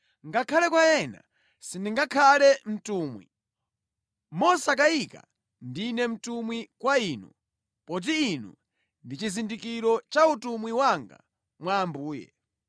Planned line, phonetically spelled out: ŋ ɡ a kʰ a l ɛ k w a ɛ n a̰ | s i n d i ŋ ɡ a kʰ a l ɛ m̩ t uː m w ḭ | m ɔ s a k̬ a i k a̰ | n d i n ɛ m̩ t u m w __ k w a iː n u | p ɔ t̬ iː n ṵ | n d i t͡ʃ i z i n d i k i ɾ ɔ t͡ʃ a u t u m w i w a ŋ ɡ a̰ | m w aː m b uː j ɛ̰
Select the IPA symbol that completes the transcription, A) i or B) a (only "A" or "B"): A